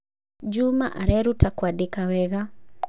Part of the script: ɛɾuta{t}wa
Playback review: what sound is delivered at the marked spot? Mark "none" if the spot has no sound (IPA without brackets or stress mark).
k